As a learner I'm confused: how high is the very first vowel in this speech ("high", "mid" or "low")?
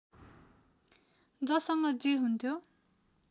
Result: mid